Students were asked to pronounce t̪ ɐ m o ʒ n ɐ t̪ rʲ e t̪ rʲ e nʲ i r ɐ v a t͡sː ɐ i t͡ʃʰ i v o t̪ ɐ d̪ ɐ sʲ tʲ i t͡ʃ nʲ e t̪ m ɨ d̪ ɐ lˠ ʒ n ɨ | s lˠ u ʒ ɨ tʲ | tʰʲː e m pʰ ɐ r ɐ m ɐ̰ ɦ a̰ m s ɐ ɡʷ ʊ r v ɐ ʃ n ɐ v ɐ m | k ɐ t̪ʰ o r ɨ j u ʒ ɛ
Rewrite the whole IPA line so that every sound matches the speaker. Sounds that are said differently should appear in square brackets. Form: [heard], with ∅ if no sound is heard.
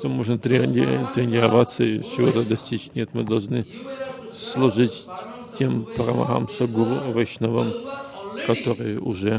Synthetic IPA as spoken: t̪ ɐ m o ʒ n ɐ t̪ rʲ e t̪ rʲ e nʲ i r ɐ v a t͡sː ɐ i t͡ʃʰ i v o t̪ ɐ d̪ ɐ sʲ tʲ i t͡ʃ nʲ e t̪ m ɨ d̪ ɐ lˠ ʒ n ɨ | s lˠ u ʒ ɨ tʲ | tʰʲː e m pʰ ɐ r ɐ m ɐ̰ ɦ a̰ m s ɐ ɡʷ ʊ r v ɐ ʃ n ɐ v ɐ m | k ɐ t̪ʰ o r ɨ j u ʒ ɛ